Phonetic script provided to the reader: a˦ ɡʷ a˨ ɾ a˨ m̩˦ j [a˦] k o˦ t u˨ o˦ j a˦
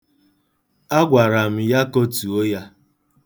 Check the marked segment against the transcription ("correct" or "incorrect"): correct